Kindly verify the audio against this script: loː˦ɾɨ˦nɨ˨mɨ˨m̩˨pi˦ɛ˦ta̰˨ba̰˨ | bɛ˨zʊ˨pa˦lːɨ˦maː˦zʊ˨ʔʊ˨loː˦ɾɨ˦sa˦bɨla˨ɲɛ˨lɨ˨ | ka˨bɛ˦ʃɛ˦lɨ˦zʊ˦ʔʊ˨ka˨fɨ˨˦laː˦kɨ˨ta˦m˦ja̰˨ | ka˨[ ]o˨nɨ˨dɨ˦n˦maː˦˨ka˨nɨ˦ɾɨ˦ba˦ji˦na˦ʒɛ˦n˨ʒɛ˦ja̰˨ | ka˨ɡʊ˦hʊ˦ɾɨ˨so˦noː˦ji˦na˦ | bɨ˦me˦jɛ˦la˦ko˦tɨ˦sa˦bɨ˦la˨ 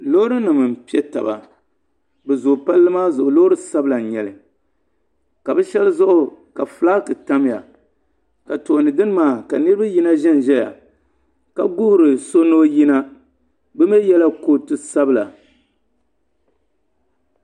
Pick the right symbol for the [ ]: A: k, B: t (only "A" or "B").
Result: B